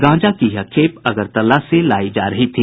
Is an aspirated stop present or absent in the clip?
present